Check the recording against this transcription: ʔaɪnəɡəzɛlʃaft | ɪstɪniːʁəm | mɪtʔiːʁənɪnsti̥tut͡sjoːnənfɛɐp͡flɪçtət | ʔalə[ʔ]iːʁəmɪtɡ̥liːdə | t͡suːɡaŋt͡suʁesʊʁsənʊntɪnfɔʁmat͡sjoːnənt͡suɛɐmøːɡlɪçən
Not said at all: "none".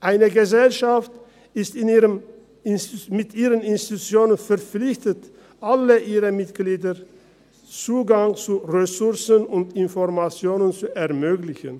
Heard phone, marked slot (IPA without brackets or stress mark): ʔ